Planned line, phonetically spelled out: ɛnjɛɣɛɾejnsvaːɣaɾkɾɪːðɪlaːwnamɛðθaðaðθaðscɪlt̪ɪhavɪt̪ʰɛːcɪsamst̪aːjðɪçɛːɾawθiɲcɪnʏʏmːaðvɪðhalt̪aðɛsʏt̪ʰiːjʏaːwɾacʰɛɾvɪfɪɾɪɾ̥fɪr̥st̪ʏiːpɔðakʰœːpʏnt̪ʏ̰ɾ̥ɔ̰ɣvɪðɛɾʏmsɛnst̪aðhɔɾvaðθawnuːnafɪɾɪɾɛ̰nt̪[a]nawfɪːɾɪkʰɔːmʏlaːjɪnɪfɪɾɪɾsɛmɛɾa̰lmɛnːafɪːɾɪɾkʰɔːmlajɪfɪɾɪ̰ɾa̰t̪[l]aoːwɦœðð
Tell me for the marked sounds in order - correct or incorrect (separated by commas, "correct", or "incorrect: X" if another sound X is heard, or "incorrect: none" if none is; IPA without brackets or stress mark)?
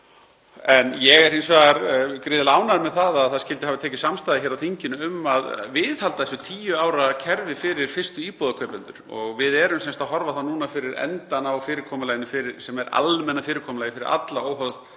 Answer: correct, correct